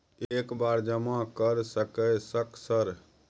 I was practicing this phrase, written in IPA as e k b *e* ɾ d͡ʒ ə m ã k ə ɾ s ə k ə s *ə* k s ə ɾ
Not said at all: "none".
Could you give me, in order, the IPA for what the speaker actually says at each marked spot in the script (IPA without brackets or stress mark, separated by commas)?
a, ə